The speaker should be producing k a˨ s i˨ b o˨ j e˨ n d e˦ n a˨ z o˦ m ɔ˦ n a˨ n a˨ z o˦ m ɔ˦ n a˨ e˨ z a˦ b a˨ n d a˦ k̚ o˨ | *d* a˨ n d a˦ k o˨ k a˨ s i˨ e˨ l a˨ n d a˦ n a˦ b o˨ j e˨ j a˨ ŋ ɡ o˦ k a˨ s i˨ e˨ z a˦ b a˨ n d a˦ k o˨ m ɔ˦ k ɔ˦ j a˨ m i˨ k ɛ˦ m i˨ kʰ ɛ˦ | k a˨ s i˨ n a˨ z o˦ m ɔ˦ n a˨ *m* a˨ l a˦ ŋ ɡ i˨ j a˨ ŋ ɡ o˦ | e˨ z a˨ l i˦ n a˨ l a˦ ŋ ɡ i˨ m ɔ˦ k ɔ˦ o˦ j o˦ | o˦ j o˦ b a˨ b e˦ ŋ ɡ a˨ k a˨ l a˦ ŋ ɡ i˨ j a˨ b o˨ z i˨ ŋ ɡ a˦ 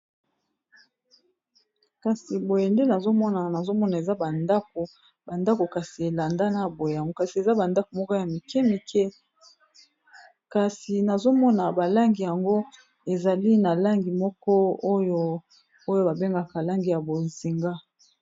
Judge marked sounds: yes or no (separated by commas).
no, no